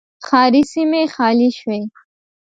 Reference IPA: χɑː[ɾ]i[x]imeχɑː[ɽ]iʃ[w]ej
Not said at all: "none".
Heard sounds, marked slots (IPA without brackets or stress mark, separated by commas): ɾ, s, l, w